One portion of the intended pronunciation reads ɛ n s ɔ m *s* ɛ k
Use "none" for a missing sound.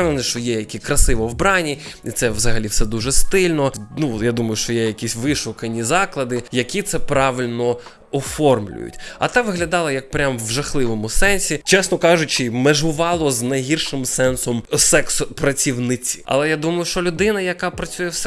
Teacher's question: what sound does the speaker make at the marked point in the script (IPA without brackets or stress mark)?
s